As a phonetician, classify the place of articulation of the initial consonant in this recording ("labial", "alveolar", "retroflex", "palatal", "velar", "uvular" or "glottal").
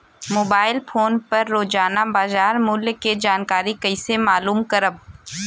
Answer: labial